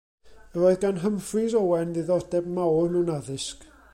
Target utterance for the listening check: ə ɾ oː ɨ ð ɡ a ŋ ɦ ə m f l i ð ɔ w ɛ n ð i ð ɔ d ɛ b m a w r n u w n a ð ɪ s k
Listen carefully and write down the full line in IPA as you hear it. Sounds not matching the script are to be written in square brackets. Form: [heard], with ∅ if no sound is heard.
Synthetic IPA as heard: ə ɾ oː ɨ ð ɡ a [n] ɦ ə m f [r] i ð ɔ w ɛ n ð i ð ɔ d ɛ b m a w r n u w n a ð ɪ s k